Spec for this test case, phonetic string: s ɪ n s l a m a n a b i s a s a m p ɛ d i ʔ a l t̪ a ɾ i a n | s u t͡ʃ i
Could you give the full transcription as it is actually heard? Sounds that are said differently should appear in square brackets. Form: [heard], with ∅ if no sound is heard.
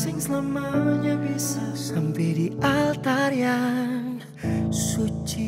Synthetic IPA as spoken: s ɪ [ŋ] s l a m a [ɲ] a b i s a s a m p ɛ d i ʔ a l t̪ a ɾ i a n | s u t͡ʃ i